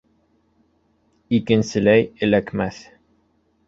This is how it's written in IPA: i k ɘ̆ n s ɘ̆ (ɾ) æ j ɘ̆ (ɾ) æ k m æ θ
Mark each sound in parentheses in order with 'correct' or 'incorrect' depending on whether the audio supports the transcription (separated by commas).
incorrect, incorrect